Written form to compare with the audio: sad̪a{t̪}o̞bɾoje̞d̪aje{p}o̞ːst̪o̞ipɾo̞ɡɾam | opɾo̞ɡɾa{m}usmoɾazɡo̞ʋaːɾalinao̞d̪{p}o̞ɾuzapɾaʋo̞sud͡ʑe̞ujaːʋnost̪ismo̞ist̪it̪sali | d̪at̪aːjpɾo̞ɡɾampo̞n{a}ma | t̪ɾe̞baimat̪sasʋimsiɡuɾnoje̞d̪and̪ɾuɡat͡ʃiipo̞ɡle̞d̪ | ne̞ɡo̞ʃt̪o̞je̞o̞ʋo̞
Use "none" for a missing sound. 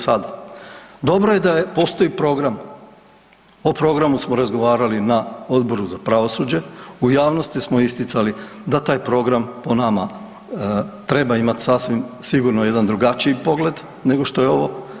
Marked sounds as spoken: d̪, p, m, b, a

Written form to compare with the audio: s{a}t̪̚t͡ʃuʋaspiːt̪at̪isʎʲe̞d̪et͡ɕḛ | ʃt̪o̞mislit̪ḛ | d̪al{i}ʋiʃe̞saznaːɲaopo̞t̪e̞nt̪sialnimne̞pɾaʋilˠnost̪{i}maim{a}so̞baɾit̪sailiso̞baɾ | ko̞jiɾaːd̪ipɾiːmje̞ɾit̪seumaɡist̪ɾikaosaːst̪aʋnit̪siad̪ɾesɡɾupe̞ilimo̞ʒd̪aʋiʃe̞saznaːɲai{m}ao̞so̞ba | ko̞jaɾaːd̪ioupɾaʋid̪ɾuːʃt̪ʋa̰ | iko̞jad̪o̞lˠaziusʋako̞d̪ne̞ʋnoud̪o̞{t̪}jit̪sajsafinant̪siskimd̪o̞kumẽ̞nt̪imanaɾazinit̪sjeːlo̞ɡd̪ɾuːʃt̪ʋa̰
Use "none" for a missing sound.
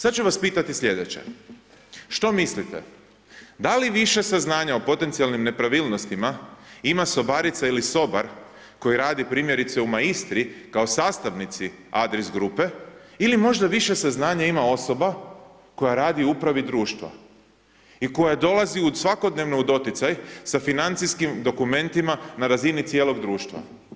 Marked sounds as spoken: a, i, i, a, m, t̪

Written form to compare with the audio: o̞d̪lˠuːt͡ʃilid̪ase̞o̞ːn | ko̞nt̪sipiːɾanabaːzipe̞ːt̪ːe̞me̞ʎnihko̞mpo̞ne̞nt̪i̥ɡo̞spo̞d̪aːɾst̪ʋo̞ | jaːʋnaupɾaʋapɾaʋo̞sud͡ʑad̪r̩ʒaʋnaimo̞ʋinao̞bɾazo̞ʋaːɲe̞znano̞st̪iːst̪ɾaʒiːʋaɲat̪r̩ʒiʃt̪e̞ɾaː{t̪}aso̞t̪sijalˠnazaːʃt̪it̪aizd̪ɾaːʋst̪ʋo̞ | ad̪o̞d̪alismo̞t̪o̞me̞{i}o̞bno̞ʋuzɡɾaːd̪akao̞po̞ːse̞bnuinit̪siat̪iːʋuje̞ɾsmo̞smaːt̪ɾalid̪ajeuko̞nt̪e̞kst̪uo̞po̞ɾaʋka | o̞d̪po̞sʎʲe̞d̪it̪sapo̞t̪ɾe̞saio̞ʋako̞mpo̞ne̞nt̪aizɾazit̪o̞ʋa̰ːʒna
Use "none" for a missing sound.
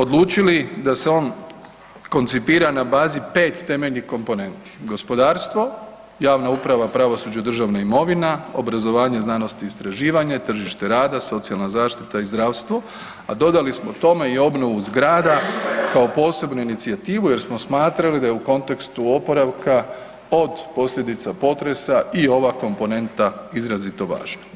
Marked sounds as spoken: d̪, i

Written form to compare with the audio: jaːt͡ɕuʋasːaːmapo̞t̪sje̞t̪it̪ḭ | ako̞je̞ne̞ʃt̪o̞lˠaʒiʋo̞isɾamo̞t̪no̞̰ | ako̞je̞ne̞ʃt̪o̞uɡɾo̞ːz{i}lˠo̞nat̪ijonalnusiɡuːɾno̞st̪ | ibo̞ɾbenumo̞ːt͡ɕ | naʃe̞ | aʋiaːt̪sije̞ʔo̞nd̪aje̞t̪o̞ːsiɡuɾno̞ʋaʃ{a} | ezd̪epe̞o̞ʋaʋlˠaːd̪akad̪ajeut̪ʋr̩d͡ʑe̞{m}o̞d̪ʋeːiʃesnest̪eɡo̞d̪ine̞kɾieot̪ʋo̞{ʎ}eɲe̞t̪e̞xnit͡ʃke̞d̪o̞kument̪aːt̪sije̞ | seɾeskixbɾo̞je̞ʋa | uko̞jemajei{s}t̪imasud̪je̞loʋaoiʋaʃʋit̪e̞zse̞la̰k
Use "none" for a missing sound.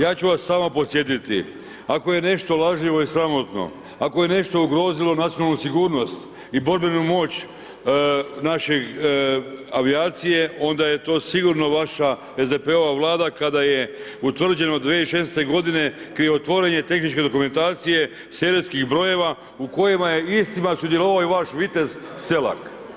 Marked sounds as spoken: i, a, n, ɾ, s

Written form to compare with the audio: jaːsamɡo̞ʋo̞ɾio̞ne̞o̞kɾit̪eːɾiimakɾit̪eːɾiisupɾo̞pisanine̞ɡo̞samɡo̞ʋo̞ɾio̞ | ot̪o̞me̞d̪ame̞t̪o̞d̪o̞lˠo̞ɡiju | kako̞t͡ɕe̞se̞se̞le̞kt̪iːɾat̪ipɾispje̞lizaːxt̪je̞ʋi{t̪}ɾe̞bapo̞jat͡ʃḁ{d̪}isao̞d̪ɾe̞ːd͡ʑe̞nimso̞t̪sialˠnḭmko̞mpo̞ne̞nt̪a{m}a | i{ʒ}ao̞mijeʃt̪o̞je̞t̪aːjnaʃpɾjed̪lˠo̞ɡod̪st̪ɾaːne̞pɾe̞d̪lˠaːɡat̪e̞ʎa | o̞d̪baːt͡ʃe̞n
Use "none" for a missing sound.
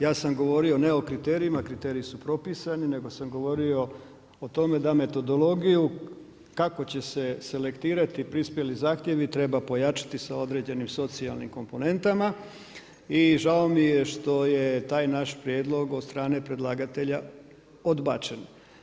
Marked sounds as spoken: t̪, t̪, m, ʒ

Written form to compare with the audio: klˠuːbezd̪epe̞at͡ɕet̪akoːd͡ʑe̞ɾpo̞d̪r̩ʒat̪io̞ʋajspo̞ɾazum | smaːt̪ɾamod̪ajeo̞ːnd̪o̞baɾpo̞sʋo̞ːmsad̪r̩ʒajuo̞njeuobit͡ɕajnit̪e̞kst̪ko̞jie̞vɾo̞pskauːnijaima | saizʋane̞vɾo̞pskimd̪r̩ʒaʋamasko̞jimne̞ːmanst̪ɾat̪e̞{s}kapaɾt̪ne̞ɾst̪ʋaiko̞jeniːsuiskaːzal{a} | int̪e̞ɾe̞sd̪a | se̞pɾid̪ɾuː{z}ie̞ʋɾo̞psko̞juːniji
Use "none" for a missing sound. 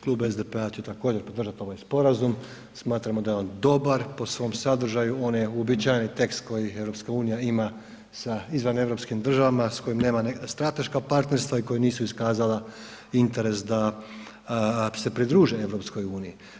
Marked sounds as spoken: ʃ, a, ʒ

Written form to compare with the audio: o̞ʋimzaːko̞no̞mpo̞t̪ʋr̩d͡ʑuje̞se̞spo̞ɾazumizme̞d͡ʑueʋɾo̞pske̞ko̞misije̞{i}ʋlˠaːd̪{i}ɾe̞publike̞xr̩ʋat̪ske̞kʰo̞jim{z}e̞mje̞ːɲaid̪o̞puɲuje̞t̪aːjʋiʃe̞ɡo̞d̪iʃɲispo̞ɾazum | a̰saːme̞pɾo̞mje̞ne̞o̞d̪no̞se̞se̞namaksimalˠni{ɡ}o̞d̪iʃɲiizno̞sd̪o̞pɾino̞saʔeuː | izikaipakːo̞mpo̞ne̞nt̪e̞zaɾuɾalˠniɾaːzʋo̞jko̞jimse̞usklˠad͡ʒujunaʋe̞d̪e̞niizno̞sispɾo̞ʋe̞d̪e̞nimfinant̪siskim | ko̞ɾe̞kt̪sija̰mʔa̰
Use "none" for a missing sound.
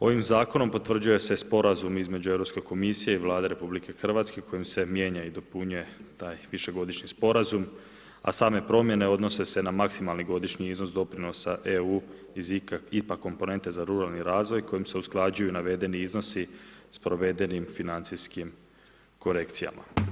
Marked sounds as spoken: i, e, s, ɡ

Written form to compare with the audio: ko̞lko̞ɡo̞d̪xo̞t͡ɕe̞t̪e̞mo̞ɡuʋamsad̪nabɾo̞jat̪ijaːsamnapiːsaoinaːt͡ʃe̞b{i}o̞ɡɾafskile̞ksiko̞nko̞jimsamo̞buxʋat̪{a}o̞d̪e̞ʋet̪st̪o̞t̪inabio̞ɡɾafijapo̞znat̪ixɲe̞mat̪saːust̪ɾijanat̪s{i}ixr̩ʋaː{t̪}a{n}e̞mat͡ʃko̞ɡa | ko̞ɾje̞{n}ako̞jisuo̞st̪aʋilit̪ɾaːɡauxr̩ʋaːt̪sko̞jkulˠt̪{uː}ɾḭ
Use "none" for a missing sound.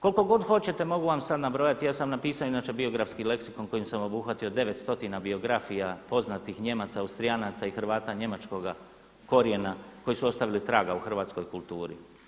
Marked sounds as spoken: i, i, a, t̪, ɲ, n, uː

